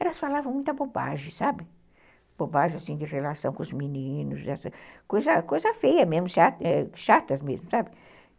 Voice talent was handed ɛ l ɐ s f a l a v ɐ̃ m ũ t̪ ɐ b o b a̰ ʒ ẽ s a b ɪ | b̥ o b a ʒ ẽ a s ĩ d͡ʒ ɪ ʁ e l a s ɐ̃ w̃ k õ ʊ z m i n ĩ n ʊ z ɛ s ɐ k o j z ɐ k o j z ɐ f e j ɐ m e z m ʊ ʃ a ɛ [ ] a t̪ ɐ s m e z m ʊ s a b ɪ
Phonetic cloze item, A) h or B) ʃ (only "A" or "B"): B